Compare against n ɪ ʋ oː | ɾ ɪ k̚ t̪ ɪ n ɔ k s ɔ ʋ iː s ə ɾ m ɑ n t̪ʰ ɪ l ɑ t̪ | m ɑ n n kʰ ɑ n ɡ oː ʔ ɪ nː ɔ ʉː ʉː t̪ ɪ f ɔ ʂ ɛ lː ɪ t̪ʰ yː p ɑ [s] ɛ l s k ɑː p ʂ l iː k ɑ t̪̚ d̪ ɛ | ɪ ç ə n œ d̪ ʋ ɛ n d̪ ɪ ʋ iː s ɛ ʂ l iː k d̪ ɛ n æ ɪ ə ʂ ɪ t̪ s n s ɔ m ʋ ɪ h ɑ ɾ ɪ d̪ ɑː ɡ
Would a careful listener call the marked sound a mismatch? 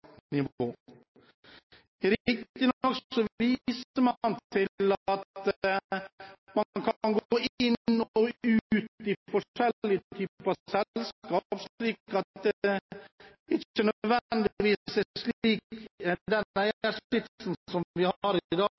no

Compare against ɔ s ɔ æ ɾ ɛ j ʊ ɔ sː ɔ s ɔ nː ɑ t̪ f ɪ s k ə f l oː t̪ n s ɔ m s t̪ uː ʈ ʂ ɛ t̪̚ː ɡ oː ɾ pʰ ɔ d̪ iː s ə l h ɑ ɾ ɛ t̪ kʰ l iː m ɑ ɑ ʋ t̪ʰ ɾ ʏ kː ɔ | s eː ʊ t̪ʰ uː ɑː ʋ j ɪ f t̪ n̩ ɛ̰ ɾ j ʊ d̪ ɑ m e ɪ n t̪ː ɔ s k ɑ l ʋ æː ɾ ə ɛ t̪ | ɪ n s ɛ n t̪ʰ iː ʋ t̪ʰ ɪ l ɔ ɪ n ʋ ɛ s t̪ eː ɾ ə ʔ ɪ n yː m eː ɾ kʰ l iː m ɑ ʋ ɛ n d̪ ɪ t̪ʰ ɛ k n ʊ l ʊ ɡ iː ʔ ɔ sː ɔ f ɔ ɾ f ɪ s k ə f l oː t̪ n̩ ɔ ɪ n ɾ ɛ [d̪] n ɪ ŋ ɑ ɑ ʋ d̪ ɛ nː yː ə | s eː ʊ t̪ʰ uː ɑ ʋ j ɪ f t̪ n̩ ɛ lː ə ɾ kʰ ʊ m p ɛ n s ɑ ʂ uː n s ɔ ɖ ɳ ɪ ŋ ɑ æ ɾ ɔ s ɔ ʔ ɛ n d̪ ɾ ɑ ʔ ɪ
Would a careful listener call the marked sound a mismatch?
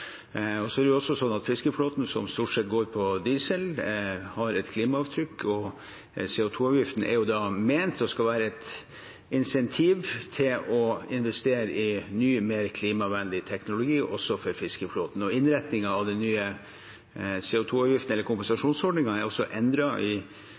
yes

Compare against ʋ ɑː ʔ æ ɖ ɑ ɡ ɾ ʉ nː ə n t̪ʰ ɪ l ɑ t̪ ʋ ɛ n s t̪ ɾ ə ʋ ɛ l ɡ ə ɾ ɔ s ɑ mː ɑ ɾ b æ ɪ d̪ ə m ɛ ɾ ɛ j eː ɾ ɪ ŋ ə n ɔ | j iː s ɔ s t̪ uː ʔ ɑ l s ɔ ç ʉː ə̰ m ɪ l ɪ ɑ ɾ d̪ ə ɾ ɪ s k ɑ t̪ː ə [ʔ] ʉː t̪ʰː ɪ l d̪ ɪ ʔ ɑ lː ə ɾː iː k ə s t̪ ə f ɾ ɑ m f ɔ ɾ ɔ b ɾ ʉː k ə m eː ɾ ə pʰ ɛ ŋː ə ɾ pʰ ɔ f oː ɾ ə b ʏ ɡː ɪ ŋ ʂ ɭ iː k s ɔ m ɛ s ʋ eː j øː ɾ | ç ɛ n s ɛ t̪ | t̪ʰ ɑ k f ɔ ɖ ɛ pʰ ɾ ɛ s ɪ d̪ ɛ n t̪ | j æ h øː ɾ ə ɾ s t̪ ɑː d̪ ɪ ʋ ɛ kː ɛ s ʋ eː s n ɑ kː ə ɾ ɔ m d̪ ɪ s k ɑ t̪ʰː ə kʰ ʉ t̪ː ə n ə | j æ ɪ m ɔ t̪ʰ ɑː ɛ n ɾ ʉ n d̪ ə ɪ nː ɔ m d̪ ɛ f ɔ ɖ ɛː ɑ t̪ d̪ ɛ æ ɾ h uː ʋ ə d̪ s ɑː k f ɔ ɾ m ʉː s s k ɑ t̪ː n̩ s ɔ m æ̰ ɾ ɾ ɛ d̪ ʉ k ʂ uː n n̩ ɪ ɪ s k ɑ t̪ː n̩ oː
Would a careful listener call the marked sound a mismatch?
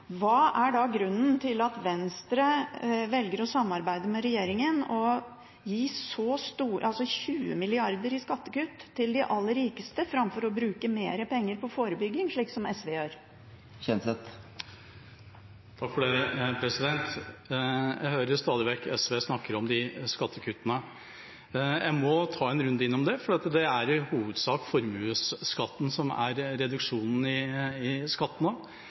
yes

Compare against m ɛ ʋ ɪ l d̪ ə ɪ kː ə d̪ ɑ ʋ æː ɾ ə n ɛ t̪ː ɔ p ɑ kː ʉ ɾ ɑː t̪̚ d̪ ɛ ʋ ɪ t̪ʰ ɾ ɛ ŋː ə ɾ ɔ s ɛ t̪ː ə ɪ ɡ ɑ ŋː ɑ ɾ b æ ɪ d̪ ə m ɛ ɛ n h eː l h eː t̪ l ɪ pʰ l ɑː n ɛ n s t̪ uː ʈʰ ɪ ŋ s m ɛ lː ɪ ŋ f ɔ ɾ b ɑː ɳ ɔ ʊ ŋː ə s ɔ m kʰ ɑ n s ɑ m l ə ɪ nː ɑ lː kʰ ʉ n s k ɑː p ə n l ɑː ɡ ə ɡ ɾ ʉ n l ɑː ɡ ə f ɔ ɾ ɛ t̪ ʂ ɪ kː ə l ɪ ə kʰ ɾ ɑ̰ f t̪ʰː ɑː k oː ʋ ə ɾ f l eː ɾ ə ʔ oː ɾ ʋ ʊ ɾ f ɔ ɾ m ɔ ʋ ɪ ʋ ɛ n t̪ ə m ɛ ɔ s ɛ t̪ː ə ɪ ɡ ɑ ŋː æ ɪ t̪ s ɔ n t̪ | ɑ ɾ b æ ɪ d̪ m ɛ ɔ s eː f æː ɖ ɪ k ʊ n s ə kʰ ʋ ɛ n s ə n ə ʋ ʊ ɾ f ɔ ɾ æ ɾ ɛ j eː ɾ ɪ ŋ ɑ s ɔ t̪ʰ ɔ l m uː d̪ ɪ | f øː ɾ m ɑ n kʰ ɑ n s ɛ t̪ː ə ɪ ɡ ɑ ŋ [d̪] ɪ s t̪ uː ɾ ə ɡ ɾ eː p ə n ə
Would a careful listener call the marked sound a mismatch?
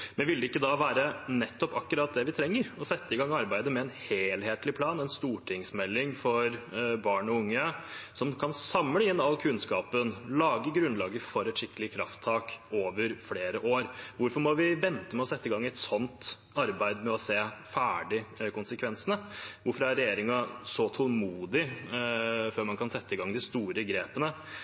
no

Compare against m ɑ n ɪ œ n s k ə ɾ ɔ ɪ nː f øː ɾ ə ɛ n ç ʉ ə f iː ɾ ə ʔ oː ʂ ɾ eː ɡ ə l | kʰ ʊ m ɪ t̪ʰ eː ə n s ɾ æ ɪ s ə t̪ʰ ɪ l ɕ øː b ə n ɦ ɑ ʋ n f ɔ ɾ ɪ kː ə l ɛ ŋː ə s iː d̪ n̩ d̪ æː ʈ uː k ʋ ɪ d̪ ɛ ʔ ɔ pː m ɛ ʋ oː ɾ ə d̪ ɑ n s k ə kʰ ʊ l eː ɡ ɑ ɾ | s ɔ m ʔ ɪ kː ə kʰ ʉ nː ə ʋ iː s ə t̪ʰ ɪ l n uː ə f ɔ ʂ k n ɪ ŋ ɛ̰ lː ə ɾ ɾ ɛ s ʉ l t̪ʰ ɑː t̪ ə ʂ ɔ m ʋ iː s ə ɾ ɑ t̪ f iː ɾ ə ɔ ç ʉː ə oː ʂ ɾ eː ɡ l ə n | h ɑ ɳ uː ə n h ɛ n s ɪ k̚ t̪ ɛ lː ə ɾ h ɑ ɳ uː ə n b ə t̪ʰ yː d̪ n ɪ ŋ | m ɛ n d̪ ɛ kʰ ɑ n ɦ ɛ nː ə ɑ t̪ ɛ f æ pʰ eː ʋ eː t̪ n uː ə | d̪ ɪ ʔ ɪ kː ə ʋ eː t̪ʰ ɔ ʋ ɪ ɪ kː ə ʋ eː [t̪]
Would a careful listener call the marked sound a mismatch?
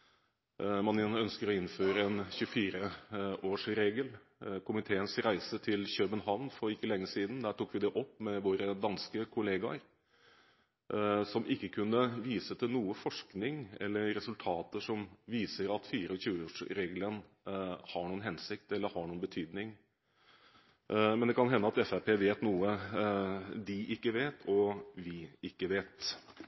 no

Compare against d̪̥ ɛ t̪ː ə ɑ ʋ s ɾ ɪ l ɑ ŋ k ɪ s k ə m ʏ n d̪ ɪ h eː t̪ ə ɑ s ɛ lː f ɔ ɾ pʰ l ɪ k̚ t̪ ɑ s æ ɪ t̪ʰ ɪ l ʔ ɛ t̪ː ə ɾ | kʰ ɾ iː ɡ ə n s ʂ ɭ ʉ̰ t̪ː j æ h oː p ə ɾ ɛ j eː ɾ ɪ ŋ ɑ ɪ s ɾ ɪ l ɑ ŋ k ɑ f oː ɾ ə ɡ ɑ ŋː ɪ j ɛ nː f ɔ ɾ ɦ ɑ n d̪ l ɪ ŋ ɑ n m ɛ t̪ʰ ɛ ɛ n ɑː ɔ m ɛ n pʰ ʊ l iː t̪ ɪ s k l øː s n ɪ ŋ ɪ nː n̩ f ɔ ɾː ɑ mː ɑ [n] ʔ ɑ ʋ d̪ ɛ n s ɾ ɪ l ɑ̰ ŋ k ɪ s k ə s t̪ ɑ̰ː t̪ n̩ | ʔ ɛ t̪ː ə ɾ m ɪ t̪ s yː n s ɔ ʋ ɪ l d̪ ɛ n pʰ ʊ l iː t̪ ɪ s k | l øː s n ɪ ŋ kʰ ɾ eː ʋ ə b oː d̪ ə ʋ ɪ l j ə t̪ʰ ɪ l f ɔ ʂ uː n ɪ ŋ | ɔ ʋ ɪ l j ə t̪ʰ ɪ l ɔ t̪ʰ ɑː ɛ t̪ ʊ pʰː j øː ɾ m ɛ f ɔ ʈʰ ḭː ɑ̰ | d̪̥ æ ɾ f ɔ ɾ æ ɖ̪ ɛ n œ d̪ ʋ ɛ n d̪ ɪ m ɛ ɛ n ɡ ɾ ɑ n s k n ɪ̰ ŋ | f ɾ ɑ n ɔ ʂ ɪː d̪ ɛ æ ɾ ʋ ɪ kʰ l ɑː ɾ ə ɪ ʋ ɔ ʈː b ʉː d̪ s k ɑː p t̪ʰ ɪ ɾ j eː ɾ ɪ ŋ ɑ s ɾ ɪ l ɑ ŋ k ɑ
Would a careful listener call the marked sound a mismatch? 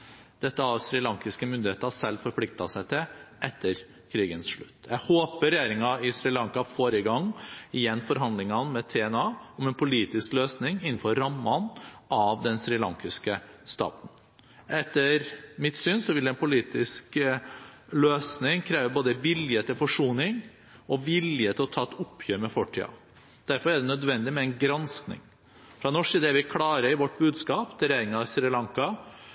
no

